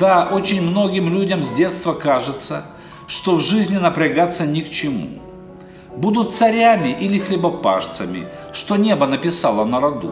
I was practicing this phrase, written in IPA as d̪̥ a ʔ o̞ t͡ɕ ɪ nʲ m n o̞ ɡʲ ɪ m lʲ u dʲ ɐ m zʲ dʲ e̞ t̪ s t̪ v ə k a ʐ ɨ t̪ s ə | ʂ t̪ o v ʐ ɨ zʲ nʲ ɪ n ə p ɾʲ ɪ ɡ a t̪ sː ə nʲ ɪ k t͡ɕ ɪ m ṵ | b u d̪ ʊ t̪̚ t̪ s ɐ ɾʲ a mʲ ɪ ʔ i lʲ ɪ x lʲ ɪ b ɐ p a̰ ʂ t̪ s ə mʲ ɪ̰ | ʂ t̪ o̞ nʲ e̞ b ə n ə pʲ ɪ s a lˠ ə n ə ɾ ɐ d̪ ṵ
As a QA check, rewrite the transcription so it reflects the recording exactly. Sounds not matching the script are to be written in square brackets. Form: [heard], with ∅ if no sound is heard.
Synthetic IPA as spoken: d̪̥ a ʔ o̞ t͡ɕ ɪ nʲ m n o̞ ɡʲ ɪ m lʲ u dʲ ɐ m zʲ dʲ e̞ t̪ s t̪ v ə k a ʐ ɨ t̪ s ə | ʂ t̪ o v ʐ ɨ zʲ nʲ ɪ n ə p ɾʲ ɪ ɡ a t̪ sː ə nʲ ɪ k t͡ɕ ɪ m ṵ | b u d̪ ʊ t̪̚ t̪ s ɐ ɾʲ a mʲ ɪ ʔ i lʲ ɪ x lʲ ɪ b ɐ p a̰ ʂ t̪ s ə mʲ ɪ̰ | ʂ t̪ o̞ nʲ e̞ b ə n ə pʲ ɪ s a lˠ ə n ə ɾ ɐ d̪ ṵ